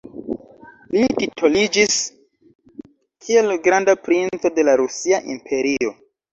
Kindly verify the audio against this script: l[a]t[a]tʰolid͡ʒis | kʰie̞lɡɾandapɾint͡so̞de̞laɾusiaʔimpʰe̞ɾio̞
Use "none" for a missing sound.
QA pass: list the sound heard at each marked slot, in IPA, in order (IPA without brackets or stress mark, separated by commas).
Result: i, i